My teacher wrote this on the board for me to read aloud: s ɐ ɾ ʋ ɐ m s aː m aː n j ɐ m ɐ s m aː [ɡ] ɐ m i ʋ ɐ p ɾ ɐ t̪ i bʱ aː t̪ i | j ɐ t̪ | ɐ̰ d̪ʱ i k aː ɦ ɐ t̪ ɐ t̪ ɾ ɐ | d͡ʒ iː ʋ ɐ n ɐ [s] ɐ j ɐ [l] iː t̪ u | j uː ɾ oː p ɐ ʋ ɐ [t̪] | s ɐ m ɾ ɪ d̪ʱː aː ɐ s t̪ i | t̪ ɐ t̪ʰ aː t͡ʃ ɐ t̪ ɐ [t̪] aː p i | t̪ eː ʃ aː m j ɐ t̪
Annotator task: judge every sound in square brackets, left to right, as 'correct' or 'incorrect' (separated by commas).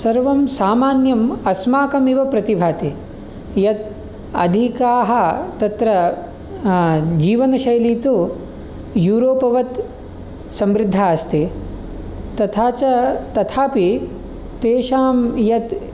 incorrect, incorrect, correct, correct, incorrect